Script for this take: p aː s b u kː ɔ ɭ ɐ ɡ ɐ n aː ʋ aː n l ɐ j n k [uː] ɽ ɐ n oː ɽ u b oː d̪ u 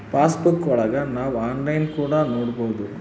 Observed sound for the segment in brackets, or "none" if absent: uː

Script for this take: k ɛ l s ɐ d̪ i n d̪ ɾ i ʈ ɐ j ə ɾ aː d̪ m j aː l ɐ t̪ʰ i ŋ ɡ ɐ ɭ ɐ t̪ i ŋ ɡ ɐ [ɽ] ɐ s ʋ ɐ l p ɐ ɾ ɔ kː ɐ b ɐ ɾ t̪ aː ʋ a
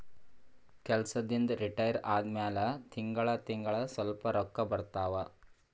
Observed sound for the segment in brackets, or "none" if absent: ɭ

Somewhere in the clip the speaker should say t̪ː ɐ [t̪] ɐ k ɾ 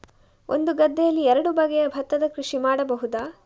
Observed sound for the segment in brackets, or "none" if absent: d̪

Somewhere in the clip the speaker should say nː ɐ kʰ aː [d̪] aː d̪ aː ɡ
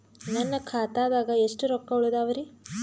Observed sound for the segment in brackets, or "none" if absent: t̪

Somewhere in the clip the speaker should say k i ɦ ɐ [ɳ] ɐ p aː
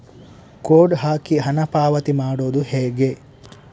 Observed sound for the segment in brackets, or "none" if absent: n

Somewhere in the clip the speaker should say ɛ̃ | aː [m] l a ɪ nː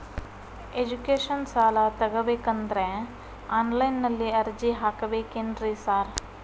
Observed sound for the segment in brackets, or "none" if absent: n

